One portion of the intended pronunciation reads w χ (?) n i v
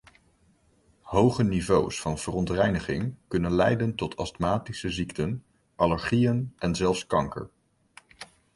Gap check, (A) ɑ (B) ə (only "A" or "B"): B